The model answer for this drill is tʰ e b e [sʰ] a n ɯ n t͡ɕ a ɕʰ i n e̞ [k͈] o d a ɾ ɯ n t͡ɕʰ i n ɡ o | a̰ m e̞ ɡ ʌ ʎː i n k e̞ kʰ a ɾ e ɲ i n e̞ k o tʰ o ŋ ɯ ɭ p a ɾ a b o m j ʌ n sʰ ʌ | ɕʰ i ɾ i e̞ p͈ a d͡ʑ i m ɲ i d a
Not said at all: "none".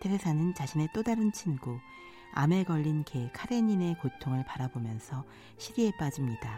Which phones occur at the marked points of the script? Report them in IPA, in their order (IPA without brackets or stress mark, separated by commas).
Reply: sʰ, t͈